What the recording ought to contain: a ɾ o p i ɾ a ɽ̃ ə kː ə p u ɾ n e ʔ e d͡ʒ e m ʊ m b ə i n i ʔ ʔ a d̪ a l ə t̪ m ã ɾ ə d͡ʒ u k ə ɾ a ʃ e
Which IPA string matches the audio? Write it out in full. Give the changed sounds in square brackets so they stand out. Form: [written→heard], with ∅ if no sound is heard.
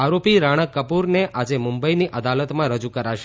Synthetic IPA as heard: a ɾ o p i ɾ a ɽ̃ ə kː ə p u ɾ n e ʔ [e→a] d͡ʒ e m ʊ m b ə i n i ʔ ʔ [a→ə] d̪ a l ə t̪ m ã ɾ ə d͡ʒ u k ə ɾ a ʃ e